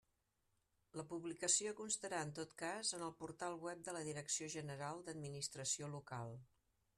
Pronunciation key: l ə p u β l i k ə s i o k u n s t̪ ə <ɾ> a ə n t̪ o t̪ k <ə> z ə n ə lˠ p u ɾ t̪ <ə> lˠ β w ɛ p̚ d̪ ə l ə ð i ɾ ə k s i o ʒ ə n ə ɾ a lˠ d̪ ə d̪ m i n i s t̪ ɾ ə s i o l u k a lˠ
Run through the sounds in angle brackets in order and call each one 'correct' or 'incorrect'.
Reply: correct, incorrect: a, incorrect: a

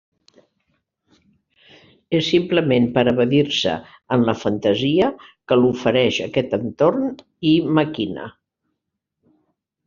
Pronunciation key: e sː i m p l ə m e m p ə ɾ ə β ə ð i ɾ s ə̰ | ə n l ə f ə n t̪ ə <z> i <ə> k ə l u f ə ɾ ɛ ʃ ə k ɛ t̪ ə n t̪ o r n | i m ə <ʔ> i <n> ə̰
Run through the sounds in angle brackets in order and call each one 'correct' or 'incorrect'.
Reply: correct, correct, incorrect: k, correct

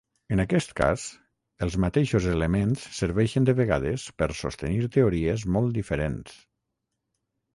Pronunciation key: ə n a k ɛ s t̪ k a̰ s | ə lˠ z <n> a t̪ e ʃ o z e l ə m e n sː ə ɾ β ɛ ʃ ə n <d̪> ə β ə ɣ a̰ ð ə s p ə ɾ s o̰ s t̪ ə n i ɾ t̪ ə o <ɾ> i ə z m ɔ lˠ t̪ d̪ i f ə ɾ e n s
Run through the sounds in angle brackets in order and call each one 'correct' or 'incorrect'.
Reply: incorrect: m, correct, correct

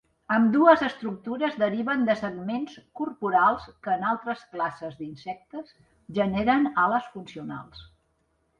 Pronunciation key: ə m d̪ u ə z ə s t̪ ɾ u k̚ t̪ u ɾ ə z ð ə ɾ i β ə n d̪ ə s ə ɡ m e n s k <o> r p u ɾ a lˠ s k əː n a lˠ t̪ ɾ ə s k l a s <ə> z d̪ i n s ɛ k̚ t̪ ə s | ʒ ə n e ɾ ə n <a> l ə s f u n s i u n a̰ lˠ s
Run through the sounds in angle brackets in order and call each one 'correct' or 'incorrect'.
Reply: incorrect: u, correct, correct

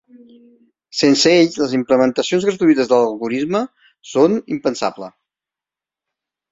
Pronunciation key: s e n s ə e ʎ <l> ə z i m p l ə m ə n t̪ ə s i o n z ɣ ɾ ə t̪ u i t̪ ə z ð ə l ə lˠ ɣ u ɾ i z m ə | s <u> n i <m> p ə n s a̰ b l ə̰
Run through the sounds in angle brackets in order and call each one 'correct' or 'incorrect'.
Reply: correct, incorrect: o, correct

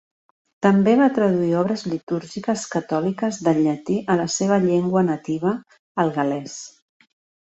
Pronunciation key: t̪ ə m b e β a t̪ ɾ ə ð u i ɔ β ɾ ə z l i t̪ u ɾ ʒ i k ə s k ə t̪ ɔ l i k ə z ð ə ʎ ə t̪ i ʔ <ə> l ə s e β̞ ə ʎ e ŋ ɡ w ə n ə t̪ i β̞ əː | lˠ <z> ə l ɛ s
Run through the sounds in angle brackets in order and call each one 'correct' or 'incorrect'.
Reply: correct, incorrect: ɣ

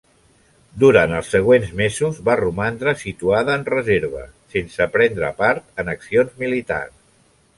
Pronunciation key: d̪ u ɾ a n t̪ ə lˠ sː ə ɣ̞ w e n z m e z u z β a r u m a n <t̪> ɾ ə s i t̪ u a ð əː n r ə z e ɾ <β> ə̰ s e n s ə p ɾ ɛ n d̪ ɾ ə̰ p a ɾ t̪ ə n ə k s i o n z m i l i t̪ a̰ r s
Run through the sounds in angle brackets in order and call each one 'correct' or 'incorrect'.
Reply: incorrect: d̪, correct

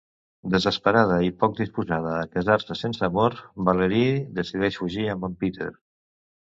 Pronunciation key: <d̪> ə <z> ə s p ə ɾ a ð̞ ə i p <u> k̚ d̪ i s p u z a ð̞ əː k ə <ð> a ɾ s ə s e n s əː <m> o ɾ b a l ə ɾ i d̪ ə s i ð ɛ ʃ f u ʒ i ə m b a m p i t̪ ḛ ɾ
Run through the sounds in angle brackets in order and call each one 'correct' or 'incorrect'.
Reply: correct, correct, incorrect: ɔ, incorrect: z, correct

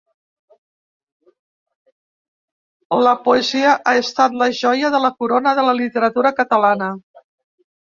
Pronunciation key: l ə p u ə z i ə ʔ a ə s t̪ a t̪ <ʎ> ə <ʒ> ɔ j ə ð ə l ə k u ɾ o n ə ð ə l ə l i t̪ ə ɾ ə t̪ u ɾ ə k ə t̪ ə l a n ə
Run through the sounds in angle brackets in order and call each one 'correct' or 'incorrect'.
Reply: incorrect: l, correct

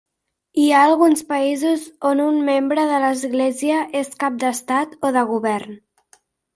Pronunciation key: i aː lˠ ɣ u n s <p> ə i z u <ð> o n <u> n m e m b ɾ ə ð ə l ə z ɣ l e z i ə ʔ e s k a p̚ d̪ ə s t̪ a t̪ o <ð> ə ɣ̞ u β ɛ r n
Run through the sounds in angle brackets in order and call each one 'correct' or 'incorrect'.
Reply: correct, incorrect: z, correct, correct

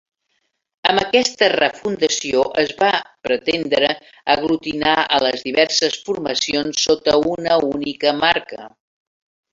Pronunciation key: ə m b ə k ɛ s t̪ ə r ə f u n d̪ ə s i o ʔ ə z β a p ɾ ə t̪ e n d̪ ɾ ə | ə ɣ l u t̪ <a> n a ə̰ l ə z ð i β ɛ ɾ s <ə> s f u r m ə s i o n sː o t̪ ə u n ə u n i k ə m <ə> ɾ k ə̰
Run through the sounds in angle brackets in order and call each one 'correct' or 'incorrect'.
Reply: incorrect: i, correct, incorrect: a

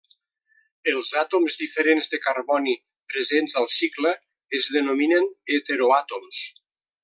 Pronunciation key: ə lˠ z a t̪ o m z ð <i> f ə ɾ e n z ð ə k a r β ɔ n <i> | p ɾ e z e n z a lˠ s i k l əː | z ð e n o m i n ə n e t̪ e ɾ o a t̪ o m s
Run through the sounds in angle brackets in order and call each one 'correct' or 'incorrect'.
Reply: correct, correct

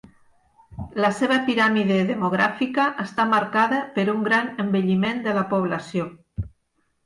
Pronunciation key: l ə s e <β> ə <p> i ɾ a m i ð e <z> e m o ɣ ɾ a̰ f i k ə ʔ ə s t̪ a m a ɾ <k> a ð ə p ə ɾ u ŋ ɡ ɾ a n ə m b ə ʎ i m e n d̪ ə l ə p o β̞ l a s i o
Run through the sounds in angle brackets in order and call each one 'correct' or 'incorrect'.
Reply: correct, correct, incorrect: ð, correct

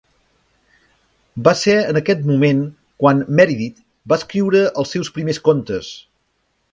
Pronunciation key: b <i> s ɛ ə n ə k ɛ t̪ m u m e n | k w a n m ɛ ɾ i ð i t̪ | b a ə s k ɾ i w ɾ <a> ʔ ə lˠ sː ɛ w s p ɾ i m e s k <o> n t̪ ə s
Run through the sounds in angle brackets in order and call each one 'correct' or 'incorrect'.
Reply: incorrect: a, incorrect: ə, correct

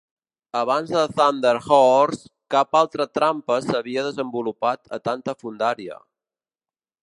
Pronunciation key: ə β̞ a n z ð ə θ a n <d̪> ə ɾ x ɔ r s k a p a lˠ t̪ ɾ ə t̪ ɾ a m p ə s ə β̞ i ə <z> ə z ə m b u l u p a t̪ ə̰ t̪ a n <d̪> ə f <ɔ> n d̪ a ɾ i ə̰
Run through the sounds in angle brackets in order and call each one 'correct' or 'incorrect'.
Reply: correct, incorrect: ð, incorrect: t̪, incorrect: u

